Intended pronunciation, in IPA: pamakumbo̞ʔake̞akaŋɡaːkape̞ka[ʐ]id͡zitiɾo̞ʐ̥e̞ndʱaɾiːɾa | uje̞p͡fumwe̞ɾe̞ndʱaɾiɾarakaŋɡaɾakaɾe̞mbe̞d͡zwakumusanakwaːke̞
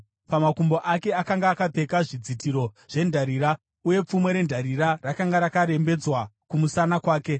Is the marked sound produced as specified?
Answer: yes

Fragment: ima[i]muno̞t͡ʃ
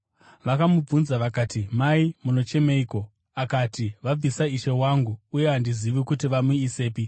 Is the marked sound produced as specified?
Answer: yes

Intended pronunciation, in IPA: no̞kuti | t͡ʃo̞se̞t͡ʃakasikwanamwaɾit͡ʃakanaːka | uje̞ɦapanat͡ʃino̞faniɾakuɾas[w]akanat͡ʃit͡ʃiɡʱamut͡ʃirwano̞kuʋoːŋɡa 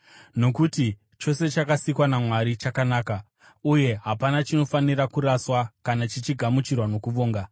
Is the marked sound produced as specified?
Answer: yes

